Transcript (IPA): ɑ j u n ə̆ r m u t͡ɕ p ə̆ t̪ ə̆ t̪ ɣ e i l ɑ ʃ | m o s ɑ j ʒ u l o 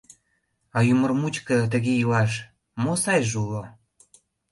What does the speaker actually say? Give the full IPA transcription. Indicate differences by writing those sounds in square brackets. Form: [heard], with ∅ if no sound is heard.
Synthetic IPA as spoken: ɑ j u [m] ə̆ r m u t͡ɕ [k] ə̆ t̪ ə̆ [∅] ɣ e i l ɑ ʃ | m o s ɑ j ʒ u l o